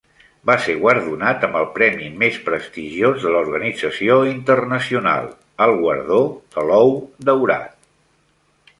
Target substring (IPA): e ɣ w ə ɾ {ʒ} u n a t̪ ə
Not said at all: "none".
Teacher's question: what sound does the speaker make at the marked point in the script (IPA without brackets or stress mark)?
ð